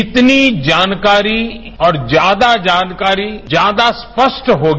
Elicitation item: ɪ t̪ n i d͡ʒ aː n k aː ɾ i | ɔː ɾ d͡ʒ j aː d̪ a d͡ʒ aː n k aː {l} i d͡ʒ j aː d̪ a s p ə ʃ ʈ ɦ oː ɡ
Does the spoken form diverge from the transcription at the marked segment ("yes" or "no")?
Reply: yes